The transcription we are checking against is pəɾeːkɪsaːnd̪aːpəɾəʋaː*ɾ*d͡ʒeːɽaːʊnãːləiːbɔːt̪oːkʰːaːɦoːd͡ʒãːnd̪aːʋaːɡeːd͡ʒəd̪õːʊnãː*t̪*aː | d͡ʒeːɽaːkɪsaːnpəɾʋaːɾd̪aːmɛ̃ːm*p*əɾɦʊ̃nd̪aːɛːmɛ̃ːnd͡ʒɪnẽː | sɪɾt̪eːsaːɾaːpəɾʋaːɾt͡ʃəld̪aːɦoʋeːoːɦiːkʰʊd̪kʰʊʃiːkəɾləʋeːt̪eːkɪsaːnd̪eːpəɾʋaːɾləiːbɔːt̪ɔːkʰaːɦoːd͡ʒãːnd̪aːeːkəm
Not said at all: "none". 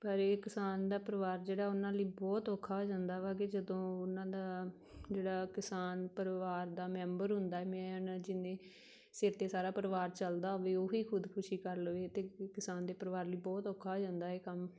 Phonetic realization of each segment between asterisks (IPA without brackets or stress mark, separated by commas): ɾ, d̪, b